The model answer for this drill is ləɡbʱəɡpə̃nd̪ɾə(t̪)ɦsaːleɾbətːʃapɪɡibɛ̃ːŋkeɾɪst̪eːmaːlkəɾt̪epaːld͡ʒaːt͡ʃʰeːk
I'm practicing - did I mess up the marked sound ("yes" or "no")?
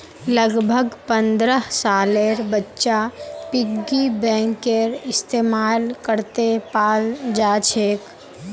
yes